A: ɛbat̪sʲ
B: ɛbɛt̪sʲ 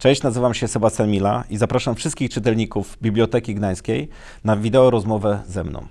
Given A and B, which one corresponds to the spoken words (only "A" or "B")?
A